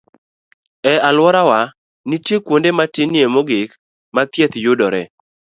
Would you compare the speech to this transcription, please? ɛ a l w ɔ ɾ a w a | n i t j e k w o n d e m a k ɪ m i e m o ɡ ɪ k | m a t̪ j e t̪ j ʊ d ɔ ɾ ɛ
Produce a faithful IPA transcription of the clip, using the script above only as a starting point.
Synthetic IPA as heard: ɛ a l w ɔ ɾ a w a | n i t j e k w o n d e m a t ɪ n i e m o ɡ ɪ k | m a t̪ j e t̪ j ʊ d ɔ ɾ ɛ